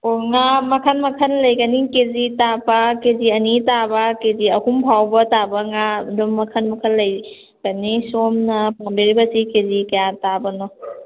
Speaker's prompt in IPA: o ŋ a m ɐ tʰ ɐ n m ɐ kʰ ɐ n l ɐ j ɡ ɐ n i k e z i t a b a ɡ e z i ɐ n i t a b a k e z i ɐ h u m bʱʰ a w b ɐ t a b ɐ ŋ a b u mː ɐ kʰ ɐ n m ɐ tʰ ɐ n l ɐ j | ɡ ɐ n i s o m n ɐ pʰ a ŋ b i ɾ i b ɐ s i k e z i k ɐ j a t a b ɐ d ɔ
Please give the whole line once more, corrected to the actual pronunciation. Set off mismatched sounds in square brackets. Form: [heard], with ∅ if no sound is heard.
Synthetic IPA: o ŋ a m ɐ [kʰ] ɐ n m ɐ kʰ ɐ n l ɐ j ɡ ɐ n i k e z i t a b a [k] e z i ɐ n i t a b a k e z i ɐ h u m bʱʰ a w b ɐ t a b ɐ ŋ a [d] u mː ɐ kʰ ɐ n m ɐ [kʰ] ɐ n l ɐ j | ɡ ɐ n i s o m n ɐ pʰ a ŋ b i ɾ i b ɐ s i k e z i k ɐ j a t a b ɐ [n] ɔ

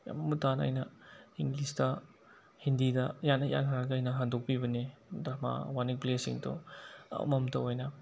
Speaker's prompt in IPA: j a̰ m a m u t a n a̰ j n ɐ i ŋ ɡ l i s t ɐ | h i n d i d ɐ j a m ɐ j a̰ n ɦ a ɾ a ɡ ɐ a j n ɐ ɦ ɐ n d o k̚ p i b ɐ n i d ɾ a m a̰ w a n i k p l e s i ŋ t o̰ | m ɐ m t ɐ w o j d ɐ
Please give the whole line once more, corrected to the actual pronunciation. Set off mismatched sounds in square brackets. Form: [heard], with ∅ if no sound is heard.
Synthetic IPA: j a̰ m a m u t a n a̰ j n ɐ i ŋ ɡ l i s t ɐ | h i n d i d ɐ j a [n] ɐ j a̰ n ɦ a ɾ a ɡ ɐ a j n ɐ ɦ [a] n d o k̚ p i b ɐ n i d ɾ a m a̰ w a n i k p l e s i ŋ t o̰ | m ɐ m t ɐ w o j [n] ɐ

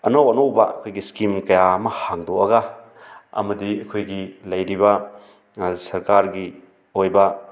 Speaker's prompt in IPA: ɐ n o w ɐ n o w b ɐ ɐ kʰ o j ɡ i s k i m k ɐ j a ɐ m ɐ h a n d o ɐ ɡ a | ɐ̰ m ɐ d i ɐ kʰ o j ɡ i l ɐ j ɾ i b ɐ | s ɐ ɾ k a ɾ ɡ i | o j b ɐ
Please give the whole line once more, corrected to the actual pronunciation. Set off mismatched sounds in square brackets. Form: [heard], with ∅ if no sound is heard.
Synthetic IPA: ɐ n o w ɐ n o w b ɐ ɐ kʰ o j ɡ i s k i m k ɐ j a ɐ m ɐ h a [ŋ] d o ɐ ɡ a | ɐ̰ m ɐ d i ɐ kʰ o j ɡ i l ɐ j ɾ i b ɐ | s ɐ ɾ k a ɾ ɡ i | o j b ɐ

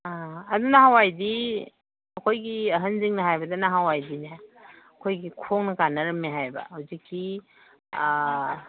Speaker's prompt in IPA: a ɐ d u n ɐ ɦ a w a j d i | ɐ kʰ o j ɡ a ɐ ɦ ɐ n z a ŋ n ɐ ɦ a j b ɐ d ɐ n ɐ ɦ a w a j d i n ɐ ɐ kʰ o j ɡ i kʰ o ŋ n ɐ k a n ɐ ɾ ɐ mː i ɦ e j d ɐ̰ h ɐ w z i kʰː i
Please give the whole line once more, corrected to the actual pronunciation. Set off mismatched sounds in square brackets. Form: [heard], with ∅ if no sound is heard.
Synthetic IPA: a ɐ d u n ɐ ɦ a w a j d i | ɐ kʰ o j ɡ [i] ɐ ɦ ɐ n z [i] ŋ n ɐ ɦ a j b ɐ d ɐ n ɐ ɦ a w a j d i n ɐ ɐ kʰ o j ɡ i kʰ o ŋ n ɐ k a n ɐ ɾ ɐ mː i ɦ [a] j [b] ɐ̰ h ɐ w z i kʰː i

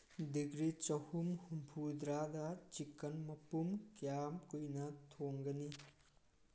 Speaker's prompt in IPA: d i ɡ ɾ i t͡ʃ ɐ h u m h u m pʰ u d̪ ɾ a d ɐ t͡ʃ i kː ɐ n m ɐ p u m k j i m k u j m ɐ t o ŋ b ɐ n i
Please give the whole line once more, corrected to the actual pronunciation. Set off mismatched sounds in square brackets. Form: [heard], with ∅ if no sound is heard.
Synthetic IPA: d i ɡ ɾ i t͡ʃ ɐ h u m h u m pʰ u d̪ ɾ a d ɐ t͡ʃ i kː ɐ n m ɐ p u m k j [a] m k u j [n] ɐ [tʰ] o ŋ [ɡ] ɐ n i

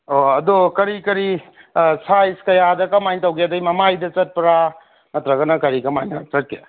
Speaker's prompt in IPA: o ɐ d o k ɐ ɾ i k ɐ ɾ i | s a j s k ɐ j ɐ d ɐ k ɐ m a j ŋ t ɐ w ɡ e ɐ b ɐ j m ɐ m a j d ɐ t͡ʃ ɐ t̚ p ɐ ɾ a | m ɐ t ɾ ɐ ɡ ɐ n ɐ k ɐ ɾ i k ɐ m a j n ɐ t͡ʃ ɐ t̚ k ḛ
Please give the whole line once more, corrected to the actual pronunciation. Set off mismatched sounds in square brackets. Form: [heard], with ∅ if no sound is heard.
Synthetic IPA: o ɐ d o k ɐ ɾ i k ɐ ɾ i | s a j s k ɐ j [a] d ɐ k ɐ m a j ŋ t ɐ w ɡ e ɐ [d] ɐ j m ɐ m a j d ɐ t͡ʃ ɐ t̚ p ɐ ɾ a | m ɐ t ɾ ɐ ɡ ɐ n ɐ k ɐ ɾ i k ɐ m a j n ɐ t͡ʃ ɐ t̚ k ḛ

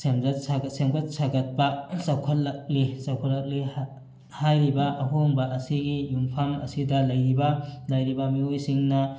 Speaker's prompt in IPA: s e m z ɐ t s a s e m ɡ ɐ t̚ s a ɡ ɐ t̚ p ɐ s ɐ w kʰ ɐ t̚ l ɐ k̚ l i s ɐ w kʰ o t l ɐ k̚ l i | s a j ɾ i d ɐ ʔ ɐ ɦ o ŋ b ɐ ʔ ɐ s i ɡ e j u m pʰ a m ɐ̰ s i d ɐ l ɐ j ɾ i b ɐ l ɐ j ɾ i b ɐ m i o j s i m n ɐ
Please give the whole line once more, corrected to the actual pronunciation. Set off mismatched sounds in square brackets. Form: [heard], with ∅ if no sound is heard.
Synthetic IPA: s e m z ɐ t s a s e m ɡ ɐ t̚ s a ɡ ɐ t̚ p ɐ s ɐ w kʰ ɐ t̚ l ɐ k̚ l i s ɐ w kʰ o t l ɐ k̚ l i | [h] a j ɾ i [b] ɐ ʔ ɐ ɦ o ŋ b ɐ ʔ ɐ s i ɡ [i] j u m pʰ a m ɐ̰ s i d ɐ l ɐ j ɾ i b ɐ l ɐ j ɾ i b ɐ m i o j s i [ŋ] n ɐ

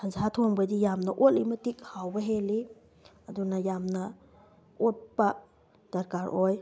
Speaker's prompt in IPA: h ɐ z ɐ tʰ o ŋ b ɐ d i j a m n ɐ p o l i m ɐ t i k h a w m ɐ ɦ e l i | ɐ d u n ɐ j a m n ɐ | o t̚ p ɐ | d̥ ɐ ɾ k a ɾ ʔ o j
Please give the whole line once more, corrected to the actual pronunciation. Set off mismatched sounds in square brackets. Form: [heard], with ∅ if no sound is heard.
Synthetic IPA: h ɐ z [a] tʰ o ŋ b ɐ d i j a m n ɐ [ʔ] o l i m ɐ t i k h a w [b] ɐ ɦ e l i | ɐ d u n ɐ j a m n ɐ | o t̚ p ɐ | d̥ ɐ ɾ k a ɾ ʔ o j

